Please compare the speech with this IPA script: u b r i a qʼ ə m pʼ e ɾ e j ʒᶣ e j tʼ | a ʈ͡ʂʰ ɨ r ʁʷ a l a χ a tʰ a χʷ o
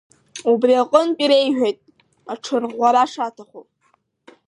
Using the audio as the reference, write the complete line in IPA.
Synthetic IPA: u b r i a qʼ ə n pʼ i ɾ e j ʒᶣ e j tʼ | a ʈ͡ʂʰ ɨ r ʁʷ a ɾ a ʂ a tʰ a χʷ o

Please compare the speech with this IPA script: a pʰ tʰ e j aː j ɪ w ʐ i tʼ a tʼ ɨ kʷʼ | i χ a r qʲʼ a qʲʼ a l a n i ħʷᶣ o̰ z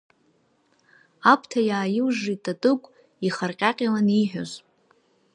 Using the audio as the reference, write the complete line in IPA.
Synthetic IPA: a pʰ tʰ a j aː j ɪ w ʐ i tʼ a tʼ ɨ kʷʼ | i χ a r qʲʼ a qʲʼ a l a n i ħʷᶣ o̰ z

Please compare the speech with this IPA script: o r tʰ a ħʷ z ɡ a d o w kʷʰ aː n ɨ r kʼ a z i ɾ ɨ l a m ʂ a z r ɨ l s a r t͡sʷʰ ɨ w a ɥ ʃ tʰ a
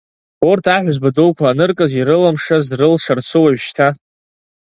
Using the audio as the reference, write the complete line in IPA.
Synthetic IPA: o r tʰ a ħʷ z b a d o w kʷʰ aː n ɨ r kʼ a z i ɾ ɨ l a m ʂ a z r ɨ l ʂ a r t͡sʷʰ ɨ w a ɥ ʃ tʰ a

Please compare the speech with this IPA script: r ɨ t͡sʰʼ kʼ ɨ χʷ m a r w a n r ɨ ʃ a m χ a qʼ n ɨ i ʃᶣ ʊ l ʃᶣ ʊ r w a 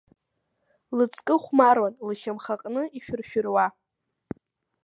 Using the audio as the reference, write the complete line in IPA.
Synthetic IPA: l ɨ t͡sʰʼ kʼ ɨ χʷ m a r w a n l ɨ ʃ a m χ a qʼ n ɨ i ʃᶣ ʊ r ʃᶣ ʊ r w a

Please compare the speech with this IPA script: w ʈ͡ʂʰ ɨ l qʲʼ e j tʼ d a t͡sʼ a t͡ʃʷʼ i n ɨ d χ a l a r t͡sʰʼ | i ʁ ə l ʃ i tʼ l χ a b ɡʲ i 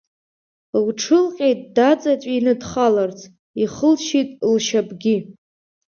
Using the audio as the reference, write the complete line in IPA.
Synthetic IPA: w ʈ͡ʂʰ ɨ l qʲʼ e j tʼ d a t͡sʼ a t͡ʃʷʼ i n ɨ d χ a l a r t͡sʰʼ | i χ ə l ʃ i tʼ l ʃ a b ɡʲ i

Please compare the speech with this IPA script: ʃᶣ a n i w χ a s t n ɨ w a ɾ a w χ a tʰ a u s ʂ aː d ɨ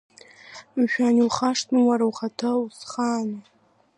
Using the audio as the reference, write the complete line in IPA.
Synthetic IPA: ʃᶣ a n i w χ a ʂ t n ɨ w a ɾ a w χ a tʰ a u s χ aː n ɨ

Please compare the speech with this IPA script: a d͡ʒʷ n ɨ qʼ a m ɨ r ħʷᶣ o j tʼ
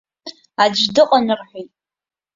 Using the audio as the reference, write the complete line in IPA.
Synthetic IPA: a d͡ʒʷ d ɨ qʼ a n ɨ r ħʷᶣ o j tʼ

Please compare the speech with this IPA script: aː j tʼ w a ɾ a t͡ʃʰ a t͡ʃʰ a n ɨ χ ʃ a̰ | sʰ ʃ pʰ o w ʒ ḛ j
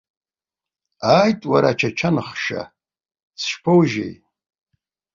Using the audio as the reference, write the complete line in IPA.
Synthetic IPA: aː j tʼ w a ɾ a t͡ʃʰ a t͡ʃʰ a n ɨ χ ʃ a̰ | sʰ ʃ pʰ o w ʒ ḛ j

